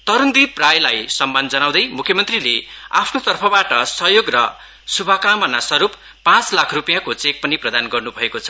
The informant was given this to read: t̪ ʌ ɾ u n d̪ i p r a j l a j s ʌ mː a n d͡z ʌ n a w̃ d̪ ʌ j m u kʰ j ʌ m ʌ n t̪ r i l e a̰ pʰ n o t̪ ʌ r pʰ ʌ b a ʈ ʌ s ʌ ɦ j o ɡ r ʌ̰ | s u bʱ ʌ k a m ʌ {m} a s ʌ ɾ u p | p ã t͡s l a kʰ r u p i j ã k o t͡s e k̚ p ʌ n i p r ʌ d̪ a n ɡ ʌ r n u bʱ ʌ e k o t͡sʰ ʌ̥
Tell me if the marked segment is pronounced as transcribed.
no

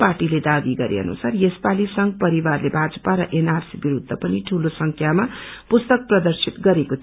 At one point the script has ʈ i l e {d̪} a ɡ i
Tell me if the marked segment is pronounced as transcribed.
yes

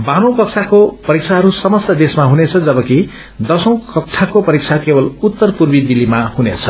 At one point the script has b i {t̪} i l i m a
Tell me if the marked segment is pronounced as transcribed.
no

